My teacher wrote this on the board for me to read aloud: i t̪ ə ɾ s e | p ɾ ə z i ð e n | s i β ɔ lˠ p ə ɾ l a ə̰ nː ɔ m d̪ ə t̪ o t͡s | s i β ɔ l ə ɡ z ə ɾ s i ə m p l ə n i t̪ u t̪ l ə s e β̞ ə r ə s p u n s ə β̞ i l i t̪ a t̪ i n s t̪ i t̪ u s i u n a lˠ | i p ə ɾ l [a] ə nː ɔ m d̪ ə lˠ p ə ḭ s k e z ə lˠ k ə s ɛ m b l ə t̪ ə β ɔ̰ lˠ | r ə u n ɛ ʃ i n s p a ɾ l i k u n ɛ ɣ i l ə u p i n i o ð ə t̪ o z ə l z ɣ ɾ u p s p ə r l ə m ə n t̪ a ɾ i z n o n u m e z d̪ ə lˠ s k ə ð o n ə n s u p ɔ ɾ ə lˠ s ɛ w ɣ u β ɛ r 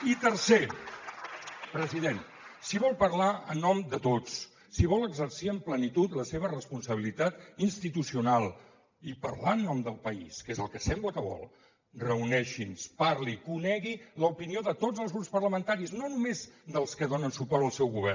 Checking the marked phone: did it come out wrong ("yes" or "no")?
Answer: no